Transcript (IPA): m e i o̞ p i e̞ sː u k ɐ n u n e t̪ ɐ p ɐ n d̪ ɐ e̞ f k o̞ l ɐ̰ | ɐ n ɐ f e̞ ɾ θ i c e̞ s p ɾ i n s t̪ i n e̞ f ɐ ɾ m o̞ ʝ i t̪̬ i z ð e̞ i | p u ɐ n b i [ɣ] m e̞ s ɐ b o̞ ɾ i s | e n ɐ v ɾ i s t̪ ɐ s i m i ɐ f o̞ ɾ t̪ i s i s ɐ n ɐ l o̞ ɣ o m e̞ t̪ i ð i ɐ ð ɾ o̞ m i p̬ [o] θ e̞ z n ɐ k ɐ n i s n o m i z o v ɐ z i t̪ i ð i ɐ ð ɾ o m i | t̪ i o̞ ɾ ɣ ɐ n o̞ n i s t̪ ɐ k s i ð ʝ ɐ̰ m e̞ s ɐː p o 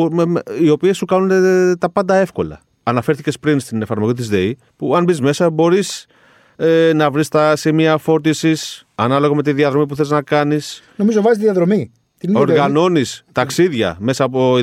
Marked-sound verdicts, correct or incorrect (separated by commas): incorrect, incorrect